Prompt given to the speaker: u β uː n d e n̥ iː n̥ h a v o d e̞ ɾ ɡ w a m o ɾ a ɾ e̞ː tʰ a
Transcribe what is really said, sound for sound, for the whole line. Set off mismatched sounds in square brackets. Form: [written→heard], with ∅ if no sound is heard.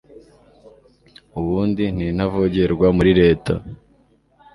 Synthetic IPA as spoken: u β uː n d [e→i] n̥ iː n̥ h a v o [d→ɟ] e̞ ɾ ɡ w a m [o→u] ɾ [a→i] ɾ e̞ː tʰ a